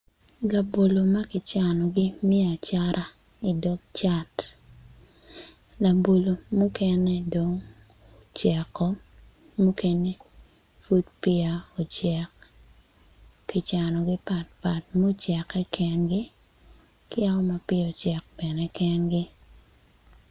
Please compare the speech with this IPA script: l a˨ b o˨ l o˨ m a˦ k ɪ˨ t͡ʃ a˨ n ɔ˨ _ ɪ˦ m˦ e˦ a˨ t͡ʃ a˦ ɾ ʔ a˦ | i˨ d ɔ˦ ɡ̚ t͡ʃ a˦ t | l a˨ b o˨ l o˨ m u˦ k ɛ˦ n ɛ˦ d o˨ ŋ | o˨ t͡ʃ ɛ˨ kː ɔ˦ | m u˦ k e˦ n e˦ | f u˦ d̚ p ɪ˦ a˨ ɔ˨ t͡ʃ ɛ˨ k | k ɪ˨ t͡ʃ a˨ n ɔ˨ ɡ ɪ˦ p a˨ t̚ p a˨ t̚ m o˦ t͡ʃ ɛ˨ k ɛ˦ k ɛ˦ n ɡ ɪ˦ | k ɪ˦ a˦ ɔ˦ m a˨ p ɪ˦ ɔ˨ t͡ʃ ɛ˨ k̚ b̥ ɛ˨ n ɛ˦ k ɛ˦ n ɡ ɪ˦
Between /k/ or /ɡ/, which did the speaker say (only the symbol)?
ɡ